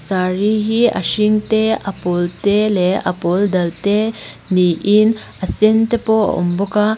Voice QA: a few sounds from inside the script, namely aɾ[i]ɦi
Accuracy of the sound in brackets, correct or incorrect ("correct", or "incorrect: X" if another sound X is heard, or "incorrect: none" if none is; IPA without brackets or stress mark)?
correct